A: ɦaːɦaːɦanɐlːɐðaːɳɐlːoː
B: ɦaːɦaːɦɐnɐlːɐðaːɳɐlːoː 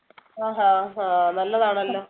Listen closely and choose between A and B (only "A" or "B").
A